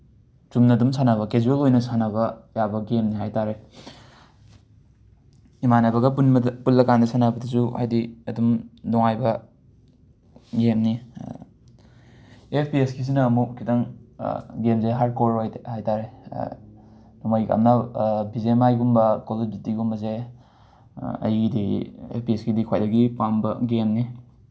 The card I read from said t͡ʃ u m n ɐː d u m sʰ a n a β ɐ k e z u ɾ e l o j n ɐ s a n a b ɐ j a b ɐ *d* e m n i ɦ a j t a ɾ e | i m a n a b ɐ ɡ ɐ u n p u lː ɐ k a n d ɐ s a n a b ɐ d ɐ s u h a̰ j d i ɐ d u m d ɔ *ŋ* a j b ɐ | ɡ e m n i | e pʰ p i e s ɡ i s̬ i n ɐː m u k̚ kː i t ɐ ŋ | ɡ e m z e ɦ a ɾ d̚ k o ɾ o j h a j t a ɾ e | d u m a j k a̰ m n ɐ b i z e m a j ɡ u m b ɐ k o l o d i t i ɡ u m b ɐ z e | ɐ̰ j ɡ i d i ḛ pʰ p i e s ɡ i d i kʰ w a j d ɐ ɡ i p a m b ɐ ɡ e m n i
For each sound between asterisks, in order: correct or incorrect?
incorrect, correct

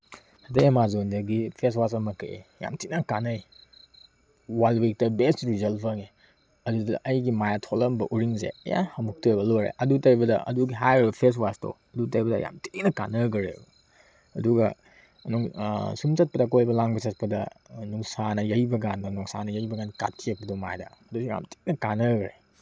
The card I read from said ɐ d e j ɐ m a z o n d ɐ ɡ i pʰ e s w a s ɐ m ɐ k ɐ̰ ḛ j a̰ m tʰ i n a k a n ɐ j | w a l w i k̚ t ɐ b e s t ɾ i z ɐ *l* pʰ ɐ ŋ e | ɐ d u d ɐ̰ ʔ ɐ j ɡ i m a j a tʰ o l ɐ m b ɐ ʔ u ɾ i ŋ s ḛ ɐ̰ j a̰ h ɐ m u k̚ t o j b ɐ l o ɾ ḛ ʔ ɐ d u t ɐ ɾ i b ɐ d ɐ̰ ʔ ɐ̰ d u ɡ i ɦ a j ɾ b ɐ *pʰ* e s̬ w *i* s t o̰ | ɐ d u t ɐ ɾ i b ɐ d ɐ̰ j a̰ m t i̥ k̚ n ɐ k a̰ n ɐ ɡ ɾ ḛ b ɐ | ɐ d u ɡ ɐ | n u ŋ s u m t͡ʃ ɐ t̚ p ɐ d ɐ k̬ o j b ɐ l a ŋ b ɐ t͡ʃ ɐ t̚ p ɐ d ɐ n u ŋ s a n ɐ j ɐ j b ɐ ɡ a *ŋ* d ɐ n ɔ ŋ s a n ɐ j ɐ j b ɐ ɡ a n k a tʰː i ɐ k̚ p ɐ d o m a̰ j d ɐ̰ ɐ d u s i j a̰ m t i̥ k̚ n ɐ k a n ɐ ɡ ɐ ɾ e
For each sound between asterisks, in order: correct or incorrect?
correct, correct, incorrect, incorrect

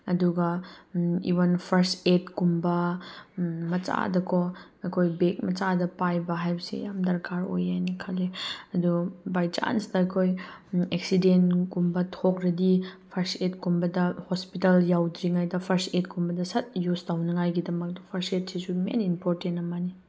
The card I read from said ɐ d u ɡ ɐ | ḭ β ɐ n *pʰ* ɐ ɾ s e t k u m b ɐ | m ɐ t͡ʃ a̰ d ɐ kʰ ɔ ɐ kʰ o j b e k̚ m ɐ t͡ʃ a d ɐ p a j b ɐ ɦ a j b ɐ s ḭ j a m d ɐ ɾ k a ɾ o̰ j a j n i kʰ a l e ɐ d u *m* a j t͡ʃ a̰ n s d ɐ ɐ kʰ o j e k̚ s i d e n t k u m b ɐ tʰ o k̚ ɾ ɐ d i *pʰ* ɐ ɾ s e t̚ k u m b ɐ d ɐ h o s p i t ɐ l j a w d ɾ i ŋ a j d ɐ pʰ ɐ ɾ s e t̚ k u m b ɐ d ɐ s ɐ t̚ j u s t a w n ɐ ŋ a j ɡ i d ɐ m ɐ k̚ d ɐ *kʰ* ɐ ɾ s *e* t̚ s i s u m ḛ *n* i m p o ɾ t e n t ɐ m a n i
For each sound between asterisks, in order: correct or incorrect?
correct, incorrect, correct, incorrect, correct, correct

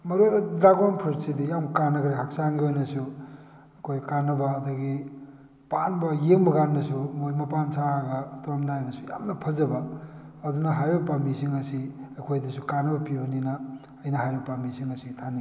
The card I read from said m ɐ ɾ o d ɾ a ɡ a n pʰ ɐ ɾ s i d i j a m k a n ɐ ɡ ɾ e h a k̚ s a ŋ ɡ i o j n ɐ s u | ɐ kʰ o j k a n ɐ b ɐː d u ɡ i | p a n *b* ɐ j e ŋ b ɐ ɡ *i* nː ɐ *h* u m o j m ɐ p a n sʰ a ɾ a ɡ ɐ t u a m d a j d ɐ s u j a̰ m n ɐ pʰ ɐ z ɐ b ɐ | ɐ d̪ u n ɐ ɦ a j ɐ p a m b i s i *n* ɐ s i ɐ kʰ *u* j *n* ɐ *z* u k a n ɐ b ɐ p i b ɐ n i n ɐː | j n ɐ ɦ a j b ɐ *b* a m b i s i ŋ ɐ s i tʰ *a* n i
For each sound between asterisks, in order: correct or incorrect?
correct, incorrect, incorrect, incorrect, incorrect, incorrect, incorrect, incorrect, correct

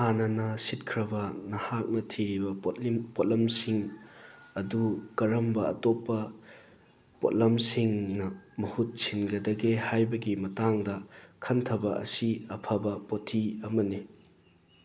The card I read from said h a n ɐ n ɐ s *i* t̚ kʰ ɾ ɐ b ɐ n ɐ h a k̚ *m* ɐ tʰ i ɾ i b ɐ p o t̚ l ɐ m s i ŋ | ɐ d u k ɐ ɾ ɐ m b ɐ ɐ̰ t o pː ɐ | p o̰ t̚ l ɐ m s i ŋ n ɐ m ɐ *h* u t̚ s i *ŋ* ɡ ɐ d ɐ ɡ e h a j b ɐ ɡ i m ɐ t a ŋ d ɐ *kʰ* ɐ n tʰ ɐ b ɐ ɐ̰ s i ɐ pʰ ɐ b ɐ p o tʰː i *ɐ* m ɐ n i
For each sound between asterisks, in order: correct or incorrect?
correct, incorrect, correct, incorrect, correct, correct

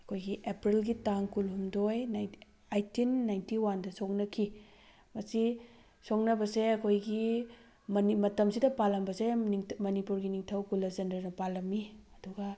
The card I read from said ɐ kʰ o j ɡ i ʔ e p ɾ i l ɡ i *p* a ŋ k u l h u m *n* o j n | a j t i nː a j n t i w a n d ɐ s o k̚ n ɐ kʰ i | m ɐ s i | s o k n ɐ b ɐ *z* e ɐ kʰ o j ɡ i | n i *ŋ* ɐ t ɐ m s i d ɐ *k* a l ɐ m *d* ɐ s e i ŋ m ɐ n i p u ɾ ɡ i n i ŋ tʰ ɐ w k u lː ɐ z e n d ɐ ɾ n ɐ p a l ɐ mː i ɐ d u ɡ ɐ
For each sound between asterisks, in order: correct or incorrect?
incorrect, incorrect, incorrect, incorrect, incorrect, incorrect

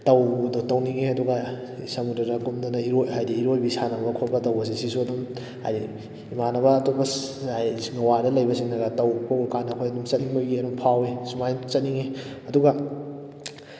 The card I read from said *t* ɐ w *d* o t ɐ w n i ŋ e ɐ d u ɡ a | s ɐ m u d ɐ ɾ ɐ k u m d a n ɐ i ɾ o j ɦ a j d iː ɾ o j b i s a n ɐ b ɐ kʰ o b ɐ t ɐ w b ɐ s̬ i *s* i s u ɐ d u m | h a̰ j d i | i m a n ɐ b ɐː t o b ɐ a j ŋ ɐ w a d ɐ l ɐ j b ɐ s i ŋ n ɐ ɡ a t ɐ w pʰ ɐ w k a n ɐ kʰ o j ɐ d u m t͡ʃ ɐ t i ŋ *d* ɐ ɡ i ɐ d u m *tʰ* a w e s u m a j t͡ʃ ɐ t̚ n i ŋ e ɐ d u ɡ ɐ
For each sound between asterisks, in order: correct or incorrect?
correct, correct, correct, incorrect, incorrect

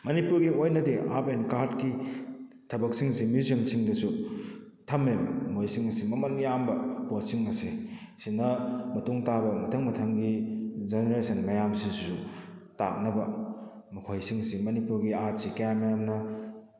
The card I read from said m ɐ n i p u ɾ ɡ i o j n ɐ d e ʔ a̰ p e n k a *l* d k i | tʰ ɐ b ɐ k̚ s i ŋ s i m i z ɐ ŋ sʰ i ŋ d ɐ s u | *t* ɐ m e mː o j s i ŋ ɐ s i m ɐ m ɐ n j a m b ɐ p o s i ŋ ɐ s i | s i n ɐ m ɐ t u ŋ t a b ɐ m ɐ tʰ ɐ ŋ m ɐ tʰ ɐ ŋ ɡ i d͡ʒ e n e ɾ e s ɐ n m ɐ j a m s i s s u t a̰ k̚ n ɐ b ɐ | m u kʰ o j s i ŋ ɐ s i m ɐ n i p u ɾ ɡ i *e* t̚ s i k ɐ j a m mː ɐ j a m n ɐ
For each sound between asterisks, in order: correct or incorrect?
incorrect, incorrect, incorrect

